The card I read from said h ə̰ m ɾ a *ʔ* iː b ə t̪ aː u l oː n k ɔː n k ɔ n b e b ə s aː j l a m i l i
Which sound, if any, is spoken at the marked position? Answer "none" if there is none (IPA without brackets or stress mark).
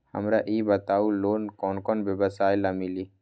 ʔ